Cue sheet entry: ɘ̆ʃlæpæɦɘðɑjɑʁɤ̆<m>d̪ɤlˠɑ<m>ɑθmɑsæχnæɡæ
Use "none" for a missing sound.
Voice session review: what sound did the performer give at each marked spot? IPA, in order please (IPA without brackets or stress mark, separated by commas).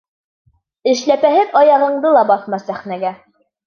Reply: ɴ, b